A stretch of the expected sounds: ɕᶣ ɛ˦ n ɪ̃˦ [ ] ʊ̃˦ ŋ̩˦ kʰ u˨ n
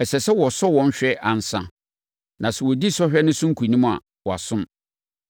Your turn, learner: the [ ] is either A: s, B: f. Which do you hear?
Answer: A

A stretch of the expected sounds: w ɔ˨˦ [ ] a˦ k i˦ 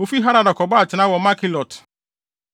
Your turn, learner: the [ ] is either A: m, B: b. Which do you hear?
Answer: A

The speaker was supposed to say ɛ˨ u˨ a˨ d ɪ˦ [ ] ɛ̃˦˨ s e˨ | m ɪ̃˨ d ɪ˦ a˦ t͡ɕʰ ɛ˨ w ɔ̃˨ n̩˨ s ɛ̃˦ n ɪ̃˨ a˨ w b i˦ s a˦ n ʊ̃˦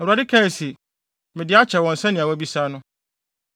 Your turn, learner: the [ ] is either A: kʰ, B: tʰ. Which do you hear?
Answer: A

